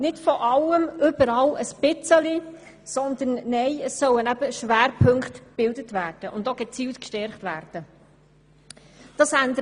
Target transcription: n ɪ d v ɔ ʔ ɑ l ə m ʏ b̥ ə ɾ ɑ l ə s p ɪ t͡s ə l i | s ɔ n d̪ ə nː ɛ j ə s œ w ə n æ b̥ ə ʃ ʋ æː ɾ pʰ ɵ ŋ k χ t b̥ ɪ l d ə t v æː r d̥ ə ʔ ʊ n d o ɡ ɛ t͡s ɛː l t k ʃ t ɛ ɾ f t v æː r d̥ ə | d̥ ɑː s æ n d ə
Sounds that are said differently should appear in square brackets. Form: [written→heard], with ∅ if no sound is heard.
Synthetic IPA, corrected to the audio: n ɪ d [v→f] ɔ ʔ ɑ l ə m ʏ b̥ ə ɾ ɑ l ə s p ɪ t͡s ə l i | s ɔ n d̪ ə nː ɛ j ə s œ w ə n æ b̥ ə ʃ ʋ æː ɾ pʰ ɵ ŋ k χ t b̥ ɪ l d ə t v æː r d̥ ə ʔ ʊ n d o ɡ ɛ t͡s [ɛː→iː] l t k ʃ t ɛ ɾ [f→χ] t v æː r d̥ ə | d̥ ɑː s æ n d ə